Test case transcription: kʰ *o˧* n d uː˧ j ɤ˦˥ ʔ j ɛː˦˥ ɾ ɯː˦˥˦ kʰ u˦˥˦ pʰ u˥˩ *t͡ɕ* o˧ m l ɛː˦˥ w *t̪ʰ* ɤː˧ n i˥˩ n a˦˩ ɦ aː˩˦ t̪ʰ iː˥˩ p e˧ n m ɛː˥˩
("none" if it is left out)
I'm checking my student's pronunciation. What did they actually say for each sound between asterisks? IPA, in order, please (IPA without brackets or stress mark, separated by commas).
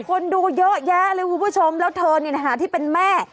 o˧, t͡ɕʰ, t̪ʰ